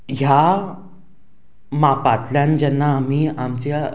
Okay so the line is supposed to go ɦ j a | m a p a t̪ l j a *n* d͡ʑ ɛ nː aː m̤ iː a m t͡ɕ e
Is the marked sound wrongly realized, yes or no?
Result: no